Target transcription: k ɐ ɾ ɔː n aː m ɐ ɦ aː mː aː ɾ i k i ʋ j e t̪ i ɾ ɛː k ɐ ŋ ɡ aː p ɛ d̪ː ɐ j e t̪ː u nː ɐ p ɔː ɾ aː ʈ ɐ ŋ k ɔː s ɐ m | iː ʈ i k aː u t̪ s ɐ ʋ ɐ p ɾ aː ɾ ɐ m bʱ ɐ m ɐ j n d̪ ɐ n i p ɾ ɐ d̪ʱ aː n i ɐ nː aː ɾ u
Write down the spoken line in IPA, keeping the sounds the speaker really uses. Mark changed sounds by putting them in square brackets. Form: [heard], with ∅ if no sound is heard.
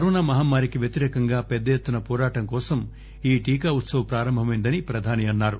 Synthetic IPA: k ɐ ɾ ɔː n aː m ɐ ɦ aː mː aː ɾ i k i ʋ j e t̪ i ɾ ɛː k ɐ ŋ ɡ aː p ɛ d̪ː ɐ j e t̪ː u [n] ɐ p ɔː ɾ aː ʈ ɐ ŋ k ɔː s ɐ m | iː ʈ [iː] k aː u t̪ s ɐ ʋ ɐ p ɾ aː ɾ ɐ m bʱ ɐ m ɐ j n d̪ ɐ n i p ɾ ɐ d̪ʱ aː n i ɐ nː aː ɾ u